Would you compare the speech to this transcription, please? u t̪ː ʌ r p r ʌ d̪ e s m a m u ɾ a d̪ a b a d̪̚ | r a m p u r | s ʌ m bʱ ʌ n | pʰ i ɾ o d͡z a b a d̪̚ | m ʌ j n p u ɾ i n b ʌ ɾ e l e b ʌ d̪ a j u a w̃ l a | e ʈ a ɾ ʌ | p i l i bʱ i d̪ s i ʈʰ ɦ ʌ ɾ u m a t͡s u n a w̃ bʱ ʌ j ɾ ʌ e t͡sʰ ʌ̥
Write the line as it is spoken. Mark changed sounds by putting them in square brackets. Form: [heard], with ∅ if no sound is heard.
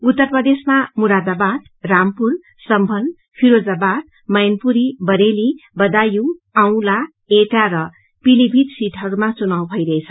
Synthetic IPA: u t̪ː ʌ r p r ʌ d̪ e s m a m u ɾ a d̪ a b a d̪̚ | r a m p u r | s ʌ m bʱ ʌ n | pʰ i ɾ o d͡z a b a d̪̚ | m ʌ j n p u ɾ i [∅] b ʌ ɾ e l [i] b ʌ d̪ a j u a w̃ l a | e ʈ a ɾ ʌ | p i l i bʱ i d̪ s i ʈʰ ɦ ʌ ɾ u m a t͡s u n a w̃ bʱ ʌ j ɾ ʌ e t͡sʰ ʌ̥

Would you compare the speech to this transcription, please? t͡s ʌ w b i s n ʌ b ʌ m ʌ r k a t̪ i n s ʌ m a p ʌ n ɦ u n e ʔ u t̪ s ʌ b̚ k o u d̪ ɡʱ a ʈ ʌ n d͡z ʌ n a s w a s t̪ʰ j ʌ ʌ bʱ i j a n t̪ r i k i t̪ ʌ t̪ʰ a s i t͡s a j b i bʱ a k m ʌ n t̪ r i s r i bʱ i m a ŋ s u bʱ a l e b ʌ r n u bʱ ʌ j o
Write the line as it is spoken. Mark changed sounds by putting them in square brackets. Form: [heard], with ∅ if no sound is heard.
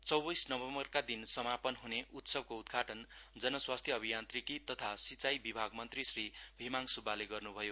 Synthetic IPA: t͡s ʌ w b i s n ʌ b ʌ m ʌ r k a [d̪] i n s ʌ m a p ʌ n ɦ u n e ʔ u t̪ s ʌ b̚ k o u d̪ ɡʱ a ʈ ʌ n d͡z ʌ n [ʌ] s w a s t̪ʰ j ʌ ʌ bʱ i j a n t̪ r i k i t̪ ʌ t̪ʰ a s i t͡s a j b i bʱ a [ɡ] m ʌ n t̪ r i s r i bʱ i m a ŋ s u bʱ a l e [ɡ] ʌ r n u bʱ ʌ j o

